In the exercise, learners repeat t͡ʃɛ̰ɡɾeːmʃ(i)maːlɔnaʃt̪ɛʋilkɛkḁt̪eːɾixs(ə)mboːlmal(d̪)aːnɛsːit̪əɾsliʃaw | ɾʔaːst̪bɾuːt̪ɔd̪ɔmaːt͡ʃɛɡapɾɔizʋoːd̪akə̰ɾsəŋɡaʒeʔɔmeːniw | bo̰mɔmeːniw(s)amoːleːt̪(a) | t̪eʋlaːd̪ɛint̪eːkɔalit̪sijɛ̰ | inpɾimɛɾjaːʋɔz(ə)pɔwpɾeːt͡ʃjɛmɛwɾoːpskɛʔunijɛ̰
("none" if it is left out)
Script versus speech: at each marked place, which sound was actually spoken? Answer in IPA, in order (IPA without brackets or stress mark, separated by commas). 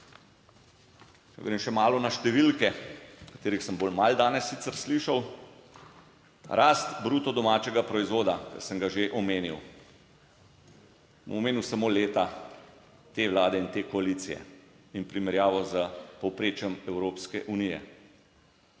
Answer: ɛ, ə, d̪, s, a, ə